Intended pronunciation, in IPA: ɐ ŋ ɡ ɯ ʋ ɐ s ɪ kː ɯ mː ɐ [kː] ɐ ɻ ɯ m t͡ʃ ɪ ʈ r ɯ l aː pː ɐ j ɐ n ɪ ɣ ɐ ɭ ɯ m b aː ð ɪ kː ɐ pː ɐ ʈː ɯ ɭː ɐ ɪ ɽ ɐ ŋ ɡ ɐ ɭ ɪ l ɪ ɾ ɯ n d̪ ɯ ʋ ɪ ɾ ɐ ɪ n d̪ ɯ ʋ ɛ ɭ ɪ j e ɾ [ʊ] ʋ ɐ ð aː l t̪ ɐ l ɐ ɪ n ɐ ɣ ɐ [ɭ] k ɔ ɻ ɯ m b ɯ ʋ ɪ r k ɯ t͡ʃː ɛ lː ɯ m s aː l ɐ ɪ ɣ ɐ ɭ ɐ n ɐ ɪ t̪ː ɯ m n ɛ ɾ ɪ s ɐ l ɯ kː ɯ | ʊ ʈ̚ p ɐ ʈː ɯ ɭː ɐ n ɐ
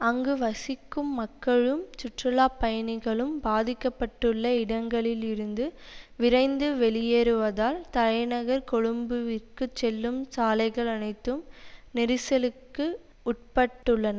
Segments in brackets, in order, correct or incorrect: correct, incorrect: ɯ, incorrect: ɾ

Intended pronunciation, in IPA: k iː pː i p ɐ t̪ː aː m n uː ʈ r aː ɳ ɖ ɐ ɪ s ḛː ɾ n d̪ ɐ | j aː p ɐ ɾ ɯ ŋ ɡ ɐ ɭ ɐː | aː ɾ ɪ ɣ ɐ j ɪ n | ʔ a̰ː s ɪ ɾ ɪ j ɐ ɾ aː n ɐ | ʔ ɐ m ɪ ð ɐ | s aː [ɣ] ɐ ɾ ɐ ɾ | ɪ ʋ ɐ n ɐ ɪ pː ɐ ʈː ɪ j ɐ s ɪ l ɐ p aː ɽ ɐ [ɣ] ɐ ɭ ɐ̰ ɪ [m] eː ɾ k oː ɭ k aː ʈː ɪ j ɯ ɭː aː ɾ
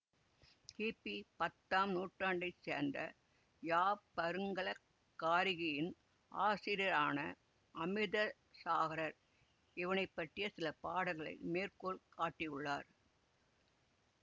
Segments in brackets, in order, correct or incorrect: correct, correct, correct

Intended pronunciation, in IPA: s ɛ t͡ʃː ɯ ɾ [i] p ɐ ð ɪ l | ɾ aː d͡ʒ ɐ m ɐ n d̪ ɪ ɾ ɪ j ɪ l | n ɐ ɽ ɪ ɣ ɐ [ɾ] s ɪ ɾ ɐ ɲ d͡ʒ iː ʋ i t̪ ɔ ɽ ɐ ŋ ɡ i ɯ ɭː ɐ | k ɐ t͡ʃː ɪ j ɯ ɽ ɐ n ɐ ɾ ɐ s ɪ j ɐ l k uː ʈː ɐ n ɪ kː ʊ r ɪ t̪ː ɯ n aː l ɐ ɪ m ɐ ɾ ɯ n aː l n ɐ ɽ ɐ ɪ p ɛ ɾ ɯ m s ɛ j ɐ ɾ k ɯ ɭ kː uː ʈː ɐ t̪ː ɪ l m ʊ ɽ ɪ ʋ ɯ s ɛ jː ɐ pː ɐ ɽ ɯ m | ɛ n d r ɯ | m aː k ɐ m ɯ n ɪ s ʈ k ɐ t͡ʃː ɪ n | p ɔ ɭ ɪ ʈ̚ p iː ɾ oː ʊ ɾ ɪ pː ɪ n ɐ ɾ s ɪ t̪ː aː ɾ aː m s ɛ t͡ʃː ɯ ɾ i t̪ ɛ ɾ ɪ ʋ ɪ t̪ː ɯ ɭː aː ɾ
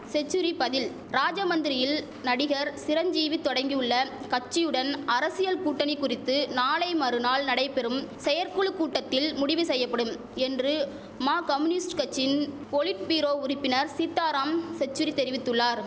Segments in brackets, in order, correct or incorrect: correct, correct

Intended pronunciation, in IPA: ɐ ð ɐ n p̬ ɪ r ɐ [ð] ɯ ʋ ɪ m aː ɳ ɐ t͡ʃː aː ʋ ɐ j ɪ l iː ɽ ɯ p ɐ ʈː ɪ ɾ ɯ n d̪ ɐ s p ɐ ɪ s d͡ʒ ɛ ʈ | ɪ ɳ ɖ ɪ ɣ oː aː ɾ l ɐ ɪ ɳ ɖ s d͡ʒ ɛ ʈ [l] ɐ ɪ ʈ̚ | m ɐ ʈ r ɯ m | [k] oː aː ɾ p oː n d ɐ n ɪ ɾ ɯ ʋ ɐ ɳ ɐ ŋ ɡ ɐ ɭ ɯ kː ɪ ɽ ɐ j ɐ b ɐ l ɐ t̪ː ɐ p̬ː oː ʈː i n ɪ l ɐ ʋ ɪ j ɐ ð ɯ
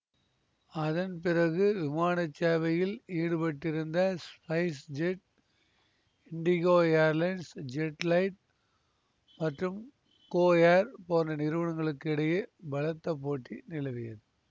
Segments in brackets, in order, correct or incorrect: incorrect: ɣ, correct, correct

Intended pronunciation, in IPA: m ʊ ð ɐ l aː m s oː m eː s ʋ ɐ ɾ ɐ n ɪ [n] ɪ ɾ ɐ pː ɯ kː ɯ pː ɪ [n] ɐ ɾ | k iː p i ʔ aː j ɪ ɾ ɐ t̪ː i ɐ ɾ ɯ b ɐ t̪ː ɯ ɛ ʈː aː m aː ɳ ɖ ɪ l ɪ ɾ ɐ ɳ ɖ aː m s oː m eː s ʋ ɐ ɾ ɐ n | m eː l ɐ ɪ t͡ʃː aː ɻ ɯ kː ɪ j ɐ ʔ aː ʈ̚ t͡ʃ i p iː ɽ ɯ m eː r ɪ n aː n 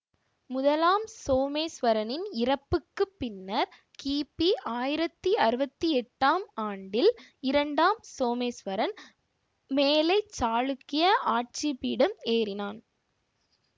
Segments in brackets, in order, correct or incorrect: correct, incorrect: nː

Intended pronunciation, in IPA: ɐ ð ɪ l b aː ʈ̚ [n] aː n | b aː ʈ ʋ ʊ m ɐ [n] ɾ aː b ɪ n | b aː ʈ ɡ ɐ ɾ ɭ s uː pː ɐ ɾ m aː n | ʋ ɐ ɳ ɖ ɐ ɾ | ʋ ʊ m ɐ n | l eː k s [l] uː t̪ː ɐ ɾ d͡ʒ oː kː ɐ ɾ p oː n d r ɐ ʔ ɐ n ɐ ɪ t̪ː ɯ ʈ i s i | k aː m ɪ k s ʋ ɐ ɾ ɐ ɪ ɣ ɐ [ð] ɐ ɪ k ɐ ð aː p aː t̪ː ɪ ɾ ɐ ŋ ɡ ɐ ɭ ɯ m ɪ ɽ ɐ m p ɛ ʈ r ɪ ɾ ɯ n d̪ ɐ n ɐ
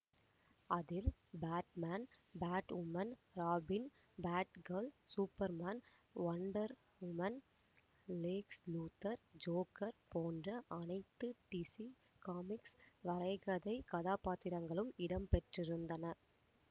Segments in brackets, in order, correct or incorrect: incorrect: m, correct, correct, correct

